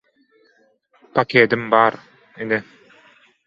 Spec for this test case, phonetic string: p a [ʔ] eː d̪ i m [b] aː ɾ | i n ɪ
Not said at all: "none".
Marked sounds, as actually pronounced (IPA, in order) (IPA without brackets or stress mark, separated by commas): k, b